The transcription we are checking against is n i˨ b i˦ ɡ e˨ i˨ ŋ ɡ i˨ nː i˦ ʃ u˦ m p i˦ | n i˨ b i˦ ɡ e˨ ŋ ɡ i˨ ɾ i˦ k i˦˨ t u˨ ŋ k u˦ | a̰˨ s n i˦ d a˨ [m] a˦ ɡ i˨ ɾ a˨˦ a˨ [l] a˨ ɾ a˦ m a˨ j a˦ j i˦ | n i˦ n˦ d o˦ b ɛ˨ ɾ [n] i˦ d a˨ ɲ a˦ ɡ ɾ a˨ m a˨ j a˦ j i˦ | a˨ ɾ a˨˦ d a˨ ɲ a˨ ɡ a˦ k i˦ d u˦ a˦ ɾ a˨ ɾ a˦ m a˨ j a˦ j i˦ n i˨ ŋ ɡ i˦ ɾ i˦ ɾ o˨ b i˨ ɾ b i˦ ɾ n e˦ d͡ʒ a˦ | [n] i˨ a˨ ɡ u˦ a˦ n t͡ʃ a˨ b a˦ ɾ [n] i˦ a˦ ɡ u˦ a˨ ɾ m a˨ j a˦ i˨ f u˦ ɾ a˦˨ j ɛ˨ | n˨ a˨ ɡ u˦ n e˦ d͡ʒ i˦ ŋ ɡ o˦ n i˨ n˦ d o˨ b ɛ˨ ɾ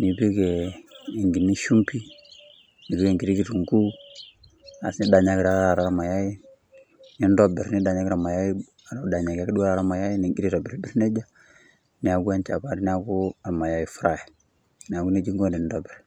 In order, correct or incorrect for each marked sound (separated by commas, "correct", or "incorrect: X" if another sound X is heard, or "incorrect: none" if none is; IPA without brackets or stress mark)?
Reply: incorrect: ɲ, incorrect: ɾ, correct, correct, correct